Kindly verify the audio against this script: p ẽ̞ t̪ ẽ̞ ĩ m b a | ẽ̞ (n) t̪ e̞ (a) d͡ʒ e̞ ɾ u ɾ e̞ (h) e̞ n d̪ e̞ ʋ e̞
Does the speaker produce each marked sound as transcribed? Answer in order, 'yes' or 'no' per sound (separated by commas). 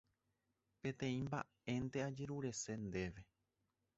yes, yes, no